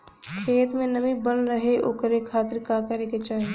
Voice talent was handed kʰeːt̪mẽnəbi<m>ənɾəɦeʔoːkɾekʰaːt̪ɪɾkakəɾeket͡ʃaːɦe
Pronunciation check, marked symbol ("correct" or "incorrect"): incorrect